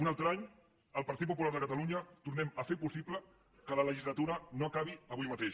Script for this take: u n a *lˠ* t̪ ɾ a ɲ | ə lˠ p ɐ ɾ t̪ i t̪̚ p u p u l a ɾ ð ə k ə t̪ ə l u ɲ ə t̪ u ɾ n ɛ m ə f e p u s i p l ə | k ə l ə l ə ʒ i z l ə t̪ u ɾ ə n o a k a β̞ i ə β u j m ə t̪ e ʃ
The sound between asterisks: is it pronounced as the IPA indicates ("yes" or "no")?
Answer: yes